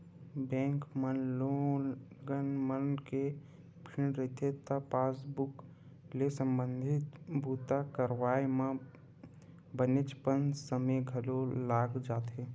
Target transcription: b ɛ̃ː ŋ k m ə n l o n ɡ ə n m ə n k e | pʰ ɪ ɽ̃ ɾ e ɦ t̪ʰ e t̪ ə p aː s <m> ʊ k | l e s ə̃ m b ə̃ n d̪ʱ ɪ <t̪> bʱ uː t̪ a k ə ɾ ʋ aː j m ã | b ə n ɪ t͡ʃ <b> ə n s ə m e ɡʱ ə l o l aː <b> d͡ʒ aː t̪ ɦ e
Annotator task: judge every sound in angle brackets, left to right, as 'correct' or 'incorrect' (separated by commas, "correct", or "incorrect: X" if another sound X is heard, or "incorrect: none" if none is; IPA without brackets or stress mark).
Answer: incorrect: b, correct, incorrect: p, incorrect: ɡ